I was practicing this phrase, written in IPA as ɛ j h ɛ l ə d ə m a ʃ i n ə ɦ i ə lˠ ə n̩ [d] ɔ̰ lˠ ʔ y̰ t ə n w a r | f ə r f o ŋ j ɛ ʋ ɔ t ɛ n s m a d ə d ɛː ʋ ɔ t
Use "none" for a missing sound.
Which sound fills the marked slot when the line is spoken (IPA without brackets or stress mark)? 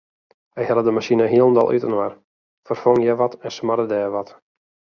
d